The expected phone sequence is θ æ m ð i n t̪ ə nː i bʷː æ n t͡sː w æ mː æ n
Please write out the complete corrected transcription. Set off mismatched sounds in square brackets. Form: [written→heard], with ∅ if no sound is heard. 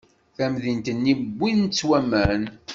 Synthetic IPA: θ æ m ð i n t̪ ə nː i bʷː [æ→i] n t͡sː w æ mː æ n